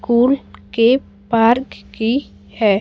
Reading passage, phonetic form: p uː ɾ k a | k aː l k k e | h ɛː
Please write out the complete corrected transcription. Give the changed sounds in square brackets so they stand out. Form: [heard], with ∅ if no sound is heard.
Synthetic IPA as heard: [k] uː [l] k [e] | [p] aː [ɾ] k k [i] | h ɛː